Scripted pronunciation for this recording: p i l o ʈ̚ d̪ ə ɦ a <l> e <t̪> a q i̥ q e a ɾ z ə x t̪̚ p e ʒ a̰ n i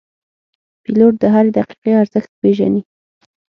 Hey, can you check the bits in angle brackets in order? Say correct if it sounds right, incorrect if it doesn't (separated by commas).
incorrect, incorrect